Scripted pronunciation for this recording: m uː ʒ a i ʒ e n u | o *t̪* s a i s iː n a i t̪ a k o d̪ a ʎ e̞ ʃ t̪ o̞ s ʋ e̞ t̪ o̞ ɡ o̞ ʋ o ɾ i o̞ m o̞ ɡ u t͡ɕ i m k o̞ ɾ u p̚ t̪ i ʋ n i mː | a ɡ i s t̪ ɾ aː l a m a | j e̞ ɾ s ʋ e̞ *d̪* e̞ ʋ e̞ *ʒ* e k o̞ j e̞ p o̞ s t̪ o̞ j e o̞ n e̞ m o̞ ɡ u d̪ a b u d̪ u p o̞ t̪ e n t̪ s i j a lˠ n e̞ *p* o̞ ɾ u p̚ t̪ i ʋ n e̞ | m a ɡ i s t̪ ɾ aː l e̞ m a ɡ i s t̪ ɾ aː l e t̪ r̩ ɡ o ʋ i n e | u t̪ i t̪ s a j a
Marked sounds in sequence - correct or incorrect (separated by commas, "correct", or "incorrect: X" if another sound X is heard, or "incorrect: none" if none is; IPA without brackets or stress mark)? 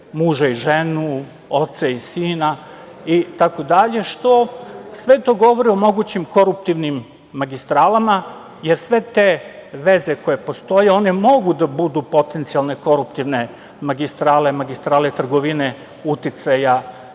correct, incorrect: t̪, incorrect: z, incorrect: k